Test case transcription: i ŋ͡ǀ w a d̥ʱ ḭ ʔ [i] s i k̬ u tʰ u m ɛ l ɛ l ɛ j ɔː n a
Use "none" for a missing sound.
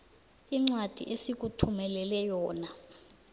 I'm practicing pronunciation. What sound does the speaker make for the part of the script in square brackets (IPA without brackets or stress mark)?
e